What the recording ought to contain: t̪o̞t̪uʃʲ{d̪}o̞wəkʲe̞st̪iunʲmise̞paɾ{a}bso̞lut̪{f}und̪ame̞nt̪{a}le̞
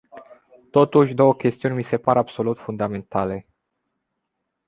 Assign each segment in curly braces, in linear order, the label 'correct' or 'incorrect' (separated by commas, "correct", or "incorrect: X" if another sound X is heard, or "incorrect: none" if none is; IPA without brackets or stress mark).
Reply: correct, correct, correct, correct